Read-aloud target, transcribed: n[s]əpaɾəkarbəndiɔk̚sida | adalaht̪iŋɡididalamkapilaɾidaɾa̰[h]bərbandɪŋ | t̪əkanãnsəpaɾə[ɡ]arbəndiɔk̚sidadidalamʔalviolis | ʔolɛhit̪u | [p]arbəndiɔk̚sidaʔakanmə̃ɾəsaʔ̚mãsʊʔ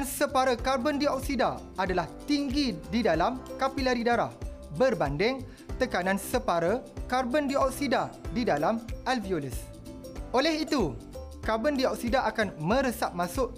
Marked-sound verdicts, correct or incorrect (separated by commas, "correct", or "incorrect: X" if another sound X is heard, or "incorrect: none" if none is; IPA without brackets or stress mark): correct, correct, incorrect: k, incorrect: k